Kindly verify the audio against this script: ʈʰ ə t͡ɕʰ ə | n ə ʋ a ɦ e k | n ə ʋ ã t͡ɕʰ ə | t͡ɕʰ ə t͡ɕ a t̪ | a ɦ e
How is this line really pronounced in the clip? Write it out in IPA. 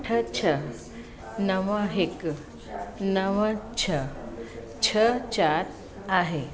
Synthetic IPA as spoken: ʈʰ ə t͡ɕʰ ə | n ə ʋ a ɦ e k | n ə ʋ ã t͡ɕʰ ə | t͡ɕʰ ə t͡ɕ a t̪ | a ɦ e